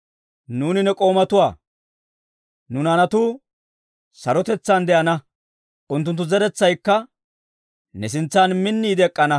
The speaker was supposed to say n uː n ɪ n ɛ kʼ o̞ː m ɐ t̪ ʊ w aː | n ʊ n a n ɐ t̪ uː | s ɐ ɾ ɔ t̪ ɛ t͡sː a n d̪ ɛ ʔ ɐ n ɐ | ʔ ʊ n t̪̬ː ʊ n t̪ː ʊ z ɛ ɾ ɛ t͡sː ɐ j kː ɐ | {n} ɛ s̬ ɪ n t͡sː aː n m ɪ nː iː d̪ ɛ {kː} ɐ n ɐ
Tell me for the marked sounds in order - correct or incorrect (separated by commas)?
correct, incorrect